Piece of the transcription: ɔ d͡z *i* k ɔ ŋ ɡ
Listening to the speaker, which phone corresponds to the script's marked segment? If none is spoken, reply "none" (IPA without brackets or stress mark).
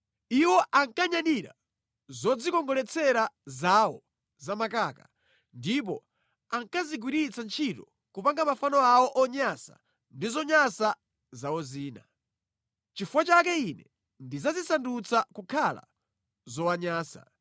i